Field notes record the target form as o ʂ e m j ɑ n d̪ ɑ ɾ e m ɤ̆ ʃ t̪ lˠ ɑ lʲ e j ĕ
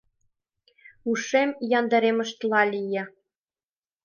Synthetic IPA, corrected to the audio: u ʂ e m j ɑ n d̪ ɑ ɾ e m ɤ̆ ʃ t̪ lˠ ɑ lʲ i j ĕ